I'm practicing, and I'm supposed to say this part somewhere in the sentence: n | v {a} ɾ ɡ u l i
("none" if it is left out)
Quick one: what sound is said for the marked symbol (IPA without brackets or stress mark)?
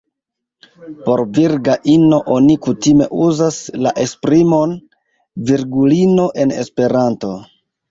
i